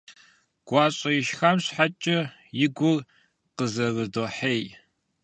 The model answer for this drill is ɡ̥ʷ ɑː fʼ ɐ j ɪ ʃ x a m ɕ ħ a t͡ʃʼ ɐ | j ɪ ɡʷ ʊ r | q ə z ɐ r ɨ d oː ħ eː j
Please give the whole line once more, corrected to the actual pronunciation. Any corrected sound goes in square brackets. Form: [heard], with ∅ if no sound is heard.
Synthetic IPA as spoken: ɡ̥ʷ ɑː [ɕʼ] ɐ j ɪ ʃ x a m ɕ ħ a t͡ʃʼ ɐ | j ɪ ɡʷ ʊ r | q ə z ɐ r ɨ d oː ħ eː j

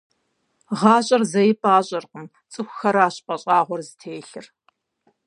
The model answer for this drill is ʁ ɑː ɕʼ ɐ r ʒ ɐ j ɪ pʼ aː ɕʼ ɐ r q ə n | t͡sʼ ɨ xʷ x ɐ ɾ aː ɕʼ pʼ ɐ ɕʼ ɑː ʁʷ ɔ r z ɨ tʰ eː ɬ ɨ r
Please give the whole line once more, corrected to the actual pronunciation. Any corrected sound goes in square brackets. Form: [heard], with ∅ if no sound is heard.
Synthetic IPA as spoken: ʁ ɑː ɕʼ ɐ r [z] ɐ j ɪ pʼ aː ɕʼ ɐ r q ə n | t͡sʼ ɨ xʷ x ɐ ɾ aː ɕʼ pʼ ɐ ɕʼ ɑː ʁʷ ɔ r z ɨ tʰ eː ɬ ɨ r

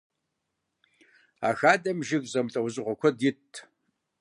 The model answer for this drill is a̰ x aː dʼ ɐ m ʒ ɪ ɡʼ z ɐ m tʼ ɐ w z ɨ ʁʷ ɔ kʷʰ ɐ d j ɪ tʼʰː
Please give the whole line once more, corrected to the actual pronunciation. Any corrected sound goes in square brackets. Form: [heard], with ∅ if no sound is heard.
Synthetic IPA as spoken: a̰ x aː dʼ ɐ m ʒ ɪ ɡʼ z ɐ m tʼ ɐ w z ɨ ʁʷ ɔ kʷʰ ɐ d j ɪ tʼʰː

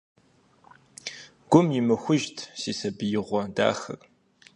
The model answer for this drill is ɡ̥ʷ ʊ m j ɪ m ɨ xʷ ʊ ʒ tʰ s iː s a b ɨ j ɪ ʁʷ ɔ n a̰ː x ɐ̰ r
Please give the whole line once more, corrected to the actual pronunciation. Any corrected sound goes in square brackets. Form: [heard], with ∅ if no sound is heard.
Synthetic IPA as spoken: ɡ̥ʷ ʊ m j ɪ m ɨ xʷ ʊ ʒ tʰ s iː s [ɐ] b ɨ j ɪ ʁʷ ɔ [d] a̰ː x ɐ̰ r

